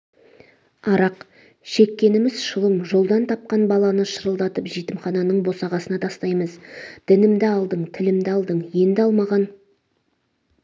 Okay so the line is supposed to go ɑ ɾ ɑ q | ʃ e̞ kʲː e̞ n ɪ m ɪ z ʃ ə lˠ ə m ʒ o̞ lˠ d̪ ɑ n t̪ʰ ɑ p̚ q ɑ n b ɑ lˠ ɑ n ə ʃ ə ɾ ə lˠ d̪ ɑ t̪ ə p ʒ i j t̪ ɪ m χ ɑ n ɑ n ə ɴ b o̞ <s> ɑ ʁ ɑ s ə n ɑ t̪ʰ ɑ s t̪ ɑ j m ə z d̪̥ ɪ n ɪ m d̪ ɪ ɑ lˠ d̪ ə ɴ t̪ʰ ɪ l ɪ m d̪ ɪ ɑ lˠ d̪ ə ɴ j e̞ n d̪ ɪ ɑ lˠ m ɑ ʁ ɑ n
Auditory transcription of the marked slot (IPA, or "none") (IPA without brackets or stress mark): s